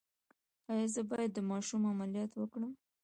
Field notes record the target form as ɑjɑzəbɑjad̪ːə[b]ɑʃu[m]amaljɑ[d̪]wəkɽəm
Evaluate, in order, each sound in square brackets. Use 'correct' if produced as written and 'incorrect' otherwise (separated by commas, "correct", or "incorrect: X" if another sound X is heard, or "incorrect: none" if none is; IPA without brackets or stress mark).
incorrect: m, correct, incorrect: t̪